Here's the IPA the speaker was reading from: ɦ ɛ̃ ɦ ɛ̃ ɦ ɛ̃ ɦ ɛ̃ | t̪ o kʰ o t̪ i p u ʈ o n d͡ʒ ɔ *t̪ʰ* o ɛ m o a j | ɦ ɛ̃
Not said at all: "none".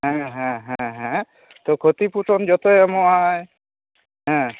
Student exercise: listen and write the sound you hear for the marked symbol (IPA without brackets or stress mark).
t̪